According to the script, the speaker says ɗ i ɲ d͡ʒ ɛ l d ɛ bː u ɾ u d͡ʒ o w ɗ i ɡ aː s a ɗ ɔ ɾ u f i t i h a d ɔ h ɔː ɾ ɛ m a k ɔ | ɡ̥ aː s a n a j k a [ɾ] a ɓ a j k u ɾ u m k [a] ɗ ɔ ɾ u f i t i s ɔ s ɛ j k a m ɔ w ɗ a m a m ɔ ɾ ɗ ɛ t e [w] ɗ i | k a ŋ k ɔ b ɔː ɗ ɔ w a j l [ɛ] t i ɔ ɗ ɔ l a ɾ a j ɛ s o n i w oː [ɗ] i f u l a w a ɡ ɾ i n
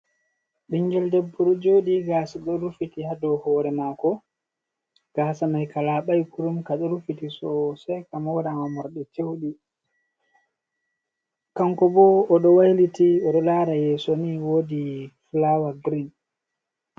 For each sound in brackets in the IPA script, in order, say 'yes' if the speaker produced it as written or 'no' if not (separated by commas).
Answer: no, yes, yes, no, no